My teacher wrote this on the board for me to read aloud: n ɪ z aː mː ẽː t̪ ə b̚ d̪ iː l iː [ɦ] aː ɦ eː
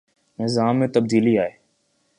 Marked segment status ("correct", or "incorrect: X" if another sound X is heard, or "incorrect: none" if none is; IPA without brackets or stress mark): incorrect: none